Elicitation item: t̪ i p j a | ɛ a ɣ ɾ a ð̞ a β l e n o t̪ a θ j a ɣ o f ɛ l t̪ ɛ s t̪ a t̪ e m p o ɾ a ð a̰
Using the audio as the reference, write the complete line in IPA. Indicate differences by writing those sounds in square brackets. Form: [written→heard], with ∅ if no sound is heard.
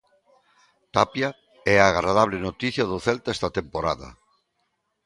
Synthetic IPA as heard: t̪ [i→a] p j a | ɛ a ɣ ɾ a ð̞ a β l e n o t̪ [a→i] θ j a [ɣ→ð] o [f→θ] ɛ l t̪ ɛ s t̪ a t̪ e m p o ɾ a ð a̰